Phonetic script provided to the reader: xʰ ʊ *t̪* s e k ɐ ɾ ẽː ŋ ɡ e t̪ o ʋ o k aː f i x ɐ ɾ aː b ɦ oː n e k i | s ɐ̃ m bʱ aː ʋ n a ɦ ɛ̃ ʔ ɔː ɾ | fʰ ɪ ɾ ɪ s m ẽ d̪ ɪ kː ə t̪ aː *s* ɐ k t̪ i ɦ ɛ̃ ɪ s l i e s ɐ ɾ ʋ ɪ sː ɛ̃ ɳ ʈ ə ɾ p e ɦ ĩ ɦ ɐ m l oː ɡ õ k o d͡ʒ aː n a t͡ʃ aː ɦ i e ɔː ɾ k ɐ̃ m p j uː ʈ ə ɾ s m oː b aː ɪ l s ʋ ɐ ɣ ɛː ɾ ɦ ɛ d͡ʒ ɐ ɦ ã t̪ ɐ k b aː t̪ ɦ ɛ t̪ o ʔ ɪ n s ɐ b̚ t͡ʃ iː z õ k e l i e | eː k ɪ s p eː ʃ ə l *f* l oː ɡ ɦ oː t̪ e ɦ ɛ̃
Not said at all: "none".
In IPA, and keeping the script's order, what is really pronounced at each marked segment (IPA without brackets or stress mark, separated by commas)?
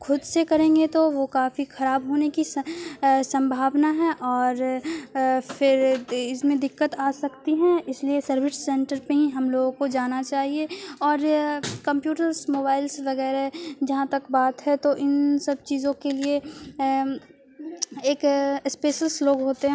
d̪, s, s